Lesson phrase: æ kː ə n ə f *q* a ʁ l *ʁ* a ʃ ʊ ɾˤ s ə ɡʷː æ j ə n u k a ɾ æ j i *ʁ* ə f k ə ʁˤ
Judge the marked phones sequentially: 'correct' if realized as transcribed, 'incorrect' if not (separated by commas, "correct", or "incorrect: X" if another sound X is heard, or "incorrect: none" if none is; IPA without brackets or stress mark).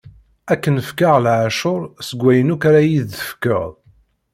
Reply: incorrect: k, incorrect: ʕ, incorrect: ð